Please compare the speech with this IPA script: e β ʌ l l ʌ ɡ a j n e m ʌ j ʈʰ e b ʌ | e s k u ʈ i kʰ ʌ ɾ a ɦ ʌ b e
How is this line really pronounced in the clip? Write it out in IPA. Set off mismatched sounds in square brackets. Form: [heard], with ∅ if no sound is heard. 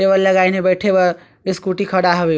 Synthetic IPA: e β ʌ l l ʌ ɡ a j n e [b] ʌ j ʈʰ e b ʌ | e s k u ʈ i kʰ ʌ [ɽ] a ɦ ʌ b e